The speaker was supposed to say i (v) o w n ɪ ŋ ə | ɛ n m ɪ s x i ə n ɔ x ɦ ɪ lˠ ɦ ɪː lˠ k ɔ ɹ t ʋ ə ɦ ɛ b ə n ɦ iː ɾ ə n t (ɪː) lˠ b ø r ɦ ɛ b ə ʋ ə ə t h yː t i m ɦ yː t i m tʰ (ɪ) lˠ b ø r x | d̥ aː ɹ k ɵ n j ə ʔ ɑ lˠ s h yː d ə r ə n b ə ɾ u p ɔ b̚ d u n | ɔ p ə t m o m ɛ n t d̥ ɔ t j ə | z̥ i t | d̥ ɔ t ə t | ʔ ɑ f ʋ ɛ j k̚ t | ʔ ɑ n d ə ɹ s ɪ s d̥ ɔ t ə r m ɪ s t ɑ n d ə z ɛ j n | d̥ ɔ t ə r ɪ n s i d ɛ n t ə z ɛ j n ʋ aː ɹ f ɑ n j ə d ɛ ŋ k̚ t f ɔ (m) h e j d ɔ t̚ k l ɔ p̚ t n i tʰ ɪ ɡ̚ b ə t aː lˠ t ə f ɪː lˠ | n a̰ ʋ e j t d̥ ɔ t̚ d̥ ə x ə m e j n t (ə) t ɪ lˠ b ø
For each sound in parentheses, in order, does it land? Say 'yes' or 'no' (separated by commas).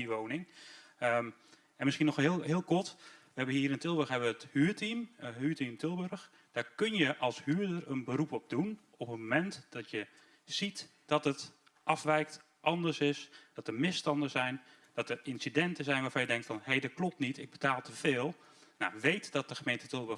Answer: no, no, yes, no, yes